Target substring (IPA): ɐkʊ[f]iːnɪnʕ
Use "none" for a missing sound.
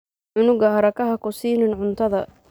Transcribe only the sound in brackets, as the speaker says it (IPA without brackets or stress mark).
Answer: s